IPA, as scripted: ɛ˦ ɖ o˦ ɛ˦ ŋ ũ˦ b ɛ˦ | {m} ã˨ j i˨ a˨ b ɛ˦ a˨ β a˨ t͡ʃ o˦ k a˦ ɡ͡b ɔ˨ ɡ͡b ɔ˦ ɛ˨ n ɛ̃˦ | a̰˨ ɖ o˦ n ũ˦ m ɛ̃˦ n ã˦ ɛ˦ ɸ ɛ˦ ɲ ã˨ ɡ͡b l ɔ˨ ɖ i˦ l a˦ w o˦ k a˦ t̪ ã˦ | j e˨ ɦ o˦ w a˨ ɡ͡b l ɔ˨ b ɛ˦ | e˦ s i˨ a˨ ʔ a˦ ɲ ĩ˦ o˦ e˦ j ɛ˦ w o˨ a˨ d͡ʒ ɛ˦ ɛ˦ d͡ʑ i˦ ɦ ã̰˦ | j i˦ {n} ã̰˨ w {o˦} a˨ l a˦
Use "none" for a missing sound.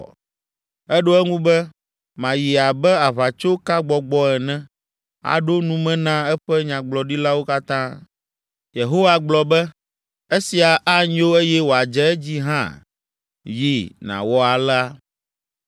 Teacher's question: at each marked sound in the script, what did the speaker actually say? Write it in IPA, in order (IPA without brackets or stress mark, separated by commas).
m, n, ɔ˦